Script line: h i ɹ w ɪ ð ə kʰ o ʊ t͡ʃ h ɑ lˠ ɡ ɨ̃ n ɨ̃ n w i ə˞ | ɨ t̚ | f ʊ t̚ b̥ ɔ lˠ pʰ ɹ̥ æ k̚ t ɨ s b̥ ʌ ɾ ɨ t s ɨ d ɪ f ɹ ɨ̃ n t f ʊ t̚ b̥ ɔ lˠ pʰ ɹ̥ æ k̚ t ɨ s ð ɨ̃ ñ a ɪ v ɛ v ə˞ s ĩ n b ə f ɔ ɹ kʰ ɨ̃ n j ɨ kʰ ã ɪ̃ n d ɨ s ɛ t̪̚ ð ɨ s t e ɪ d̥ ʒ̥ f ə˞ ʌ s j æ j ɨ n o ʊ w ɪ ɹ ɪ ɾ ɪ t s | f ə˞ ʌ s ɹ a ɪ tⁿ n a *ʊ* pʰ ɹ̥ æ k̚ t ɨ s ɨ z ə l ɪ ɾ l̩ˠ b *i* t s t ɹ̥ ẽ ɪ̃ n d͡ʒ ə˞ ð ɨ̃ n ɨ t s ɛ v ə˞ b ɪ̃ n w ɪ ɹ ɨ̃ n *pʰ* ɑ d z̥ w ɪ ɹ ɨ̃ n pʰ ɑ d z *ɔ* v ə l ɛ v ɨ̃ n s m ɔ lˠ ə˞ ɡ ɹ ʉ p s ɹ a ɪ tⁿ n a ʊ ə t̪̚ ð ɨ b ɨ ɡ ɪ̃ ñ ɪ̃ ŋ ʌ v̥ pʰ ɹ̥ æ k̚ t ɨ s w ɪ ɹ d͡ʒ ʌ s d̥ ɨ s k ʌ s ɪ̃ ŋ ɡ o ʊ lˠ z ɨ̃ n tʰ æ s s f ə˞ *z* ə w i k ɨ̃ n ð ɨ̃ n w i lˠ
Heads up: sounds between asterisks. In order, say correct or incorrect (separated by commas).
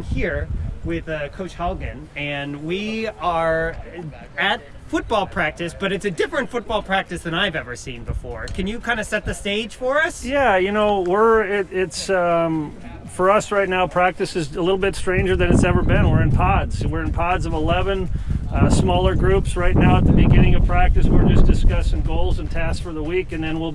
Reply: correct, incorrect, correct, incorrect, incorrect